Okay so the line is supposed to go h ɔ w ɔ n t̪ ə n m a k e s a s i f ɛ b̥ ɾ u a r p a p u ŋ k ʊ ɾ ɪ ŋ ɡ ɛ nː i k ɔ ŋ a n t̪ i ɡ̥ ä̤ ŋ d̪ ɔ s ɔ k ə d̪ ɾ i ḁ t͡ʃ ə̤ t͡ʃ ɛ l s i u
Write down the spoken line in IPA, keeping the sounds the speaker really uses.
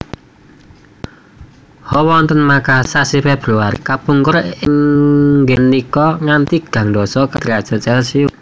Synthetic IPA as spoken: h ɔ w ɔ n t̪ ə n m a k a s a s i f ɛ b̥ ɾ u a r k a p u ŋ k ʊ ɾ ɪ ŋ ɡ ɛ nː i k ɔ ŋ a n t̪ i ɡ̥ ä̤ ŋ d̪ ɔ s ɔ k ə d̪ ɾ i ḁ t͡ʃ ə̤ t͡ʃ ɛ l s i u